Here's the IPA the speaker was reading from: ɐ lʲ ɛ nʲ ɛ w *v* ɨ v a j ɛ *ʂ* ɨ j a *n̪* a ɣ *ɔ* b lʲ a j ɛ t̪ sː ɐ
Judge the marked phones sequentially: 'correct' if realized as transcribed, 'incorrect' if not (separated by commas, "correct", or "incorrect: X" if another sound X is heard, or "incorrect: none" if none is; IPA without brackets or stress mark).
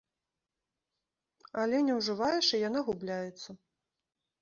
incorrect: ʐ, correct, correct, incorrect: u